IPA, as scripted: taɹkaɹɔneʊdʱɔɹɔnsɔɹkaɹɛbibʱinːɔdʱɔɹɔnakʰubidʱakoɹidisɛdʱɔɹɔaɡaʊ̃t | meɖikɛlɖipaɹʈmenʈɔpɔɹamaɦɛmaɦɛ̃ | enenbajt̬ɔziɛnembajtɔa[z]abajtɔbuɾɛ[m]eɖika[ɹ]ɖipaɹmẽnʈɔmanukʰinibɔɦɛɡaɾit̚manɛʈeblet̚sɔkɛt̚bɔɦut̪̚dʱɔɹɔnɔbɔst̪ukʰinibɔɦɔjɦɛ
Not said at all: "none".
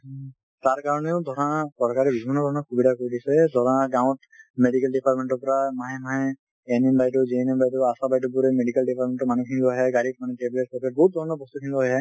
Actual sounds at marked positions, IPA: s, m, l

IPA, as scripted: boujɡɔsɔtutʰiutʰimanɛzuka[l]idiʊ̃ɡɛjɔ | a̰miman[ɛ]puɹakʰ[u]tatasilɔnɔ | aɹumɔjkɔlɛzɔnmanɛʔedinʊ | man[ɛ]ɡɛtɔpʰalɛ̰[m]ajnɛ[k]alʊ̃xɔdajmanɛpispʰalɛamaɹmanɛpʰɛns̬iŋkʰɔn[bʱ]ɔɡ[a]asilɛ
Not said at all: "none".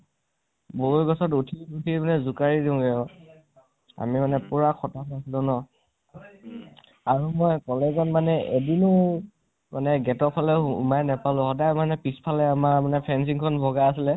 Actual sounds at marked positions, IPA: ɹ, ɛ, ɔ, ɛ, m, p, bʱ, a

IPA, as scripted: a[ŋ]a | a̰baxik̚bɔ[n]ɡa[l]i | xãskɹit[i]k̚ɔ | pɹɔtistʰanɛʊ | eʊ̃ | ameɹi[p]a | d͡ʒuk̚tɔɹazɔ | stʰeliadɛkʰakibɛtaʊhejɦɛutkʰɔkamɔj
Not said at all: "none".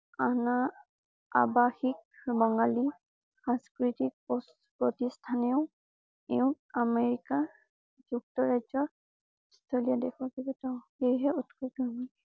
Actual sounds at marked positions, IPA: n, ŋ, l, i, k

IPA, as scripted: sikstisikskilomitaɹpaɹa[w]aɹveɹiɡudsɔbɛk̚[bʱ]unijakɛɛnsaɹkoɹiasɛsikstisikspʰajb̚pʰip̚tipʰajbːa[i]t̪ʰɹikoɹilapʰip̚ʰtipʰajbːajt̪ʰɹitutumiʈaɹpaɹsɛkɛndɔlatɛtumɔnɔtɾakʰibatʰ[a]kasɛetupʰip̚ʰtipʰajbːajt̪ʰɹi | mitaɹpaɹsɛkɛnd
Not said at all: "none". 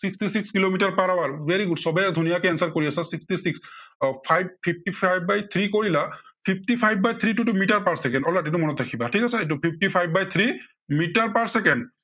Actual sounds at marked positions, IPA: w, dʱ, j, i

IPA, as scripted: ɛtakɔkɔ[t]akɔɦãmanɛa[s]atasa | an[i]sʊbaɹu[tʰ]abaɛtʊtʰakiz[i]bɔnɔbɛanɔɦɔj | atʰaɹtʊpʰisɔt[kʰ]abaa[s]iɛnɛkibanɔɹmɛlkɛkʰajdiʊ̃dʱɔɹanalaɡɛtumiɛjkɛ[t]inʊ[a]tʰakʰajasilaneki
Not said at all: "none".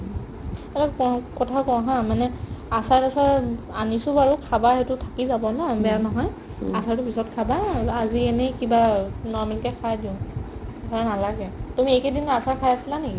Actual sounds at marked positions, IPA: tʰ, s, i, kʰ, a, kʰ, z, d, a

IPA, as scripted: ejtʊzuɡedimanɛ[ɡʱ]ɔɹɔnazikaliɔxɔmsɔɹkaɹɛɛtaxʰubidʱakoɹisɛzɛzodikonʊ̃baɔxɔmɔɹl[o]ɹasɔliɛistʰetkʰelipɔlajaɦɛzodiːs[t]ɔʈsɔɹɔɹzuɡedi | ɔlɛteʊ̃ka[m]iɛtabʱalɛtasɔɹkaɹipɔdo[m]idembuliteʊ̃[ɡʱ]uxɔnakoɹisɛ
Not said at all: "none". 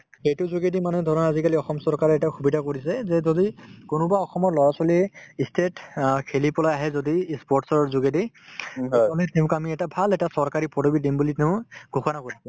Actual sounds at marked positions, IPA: dʱ, ɔ, p, m, b, ɡʱ

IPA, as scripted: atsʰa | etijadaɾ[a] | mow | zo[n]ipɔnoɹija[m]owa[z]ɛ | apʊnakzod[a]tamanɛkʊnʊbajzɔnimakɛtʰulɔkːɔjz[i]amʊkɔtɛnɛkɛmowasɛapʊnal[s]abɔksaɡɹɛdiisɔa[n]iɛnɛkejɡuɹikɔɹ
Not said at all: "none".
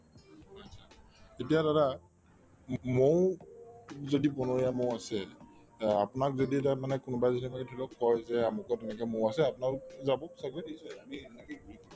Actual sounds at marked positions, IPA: a, d, m, s, i, ɛ, z, m

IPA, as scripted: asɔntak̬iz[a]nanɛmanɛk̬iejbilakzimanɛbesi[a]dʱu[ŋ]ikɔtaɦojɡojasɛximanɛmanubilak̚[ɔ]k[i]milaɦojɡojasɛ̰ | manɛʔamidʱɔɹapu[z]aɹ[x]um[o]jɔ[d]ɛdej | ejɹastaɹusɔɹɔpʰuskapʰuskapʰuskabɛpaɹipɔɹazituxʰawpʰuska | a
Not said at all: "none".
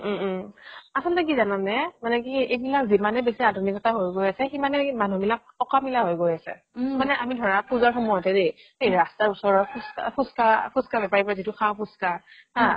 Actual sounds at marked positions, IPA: a, a, n, ɔ, a, z, x, ɔ, t

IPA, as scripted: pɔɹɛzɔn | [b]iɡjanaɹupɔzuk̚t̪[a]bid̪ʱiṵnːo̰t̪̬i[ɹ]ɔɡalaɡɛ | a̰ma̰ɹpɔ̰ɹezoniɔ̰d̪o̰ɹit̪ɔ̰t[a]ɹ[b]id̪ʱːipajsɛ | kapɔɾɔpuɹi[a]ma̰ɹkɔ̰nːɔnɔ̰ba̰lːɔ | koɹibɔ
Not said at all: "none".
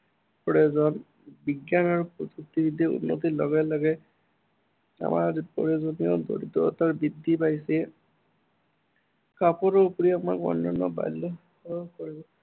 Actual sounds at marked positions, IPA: b, i, l, a, b, a

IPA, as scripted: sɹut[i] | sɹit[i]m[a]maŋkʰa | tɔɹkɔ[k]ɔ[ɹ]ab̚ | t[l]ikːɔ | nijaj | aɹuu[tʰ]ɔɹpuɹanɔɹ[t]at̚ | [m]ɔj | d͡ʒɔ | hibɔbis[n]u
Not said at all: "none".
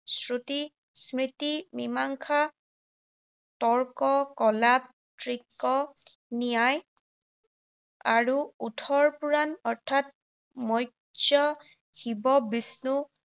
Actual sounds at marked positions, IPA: i, i, i, k, l, ɹ, tʰ, tʰ, m, n

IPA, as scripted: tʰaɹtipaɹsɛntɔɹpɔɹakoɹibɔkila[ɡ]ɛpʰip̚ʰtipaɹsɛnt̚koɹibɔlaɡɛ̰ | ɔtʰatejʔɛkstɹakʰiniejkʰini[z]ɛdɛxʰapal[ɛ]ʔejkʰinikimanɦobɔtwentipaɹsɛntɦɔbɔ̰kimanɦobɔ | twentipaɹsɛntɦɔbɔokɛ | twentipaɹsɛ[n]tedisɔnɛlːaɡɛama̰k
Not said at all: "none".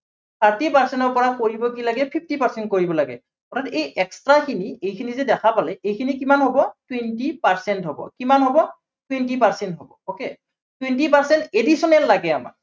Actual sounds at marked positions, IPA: ɡ, z, ɛ, n

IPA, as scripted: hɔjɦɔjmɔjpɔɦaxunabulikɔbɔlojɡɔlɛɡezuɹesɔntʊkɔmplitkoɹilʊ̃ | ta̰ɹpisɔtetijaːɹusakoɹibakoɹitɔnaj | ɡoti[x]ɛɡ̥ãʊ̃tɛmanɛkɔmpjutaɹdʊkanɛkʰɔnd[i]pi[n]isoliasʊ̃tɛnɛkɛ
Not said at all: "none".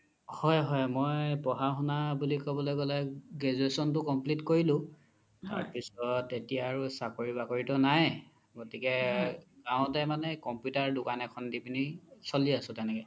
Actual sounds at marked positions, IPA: k, i, n

